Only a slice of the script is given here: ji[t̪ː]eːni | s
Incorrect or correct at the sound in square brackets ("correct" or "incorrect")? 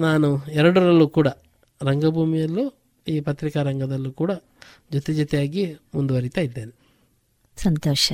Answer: incorrect